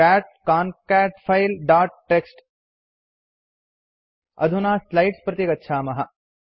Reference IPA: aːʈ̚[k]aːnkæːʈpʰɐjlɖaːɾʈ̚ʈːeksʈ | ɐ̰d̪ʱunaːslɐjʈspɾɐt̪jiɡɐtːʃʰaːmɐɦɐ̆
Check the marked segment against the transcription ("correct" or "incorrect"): correct